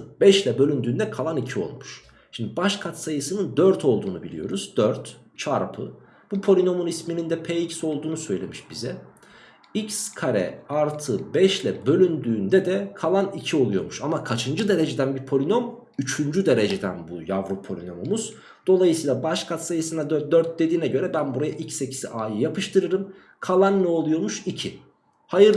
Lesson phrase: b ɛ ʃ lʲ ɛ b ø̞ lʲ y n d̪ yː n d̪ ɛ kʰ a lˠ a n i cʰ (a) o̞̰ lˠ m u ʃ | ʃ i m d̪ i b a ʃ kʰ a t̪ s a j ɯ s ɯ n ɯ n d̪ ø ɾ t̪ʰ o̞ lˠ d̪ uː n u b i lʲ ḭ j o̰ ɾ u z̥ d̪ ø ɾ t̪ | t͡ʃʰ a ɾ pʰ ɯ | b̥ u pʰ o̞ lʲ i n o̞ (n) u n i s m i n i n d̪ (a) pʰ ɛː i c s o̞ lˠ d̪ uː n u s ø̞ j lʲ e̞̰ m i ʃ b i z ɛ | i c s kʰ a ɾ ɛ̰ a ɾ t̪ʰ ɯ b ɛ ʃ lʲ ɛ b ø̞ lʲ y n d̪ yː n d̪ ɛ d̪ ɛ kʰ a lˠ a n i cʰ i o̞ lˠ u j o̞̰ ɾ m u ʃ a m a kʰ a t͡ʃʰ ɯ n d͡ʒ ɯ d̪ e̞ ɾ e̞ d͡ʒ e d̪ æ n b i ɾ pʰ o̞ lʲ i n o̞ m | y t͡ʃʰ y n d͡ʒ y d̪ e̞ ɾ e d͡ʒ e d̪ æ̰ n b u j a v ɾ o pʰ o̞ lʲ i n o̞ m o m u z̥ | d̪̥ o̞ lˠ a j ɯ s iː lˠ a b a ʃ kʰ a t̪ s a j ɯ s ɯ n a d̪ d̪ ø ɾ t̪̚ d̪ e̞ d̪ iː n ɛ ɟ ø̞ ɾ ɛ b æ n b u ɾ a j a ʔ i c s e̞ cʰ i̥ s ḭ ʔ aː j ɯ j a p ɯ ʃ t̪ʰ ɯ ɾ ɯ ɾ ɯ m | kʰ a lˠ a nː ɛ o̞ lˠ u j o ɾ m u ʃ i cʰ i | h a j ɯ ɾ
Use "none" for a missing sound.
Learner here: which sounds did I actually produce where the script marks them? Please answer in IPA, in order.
i, m, ɛ

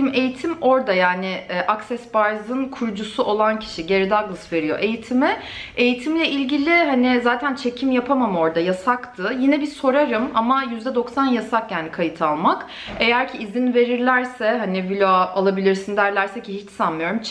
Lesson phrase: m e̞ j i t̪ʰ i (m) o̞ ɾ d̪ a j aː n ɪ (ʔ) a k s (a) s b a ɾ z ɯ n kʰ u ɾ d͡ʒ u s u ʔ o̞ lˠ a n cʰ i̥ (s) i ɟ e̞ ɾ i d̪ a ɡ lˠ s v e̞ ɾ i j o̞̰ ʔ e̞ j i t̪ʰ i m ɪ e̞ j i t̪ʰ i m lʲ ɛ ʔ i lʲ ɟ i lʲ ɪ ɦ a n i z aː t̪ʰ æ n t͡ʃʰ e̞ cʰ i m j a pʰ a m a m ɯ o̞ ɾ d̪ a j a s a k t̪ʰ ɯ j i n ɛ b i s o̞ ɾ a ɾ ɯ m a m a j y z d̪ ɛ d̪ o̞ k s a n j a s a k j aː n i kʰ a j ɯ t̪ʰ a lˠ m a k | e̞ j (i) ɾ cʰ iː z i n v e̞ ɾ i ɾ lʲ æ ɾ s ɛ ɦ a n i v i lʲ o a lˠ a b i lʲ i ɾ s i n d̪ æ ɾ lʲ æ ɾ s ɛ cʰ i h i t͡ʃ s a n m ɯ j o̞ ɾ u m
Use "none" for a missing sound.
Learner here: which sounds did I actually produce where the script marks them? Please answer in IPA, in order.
m, ʔ, ɛ, ʃ, æ

